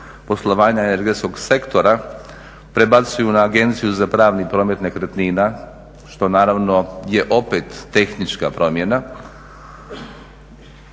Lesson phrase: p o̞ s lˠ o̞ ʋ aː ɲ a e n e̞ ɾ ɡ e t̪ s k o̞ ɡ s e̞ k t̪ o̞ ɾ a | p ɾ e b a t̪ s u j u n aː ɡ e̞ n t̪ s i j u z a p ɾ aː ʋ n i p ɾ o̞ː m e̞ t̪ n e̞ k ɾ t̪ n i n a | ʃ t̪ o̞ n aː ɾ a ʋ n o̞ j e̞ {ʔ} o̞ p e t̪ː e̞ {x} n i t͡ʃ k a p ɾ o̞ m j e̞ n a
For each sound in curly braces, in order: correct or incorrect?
correct, correct

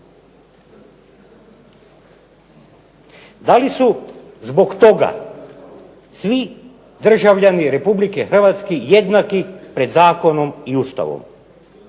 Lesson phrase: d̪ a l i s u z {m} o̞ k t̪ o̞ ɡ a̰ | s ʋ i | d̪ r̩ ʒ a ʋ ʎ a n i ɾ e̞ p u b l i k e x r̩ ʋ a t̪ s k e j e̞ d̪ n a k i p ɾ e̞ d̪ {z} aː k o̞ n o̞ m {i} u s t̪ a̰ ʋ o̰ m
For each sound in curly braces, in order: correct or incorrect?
incorrect: b, correct, correct

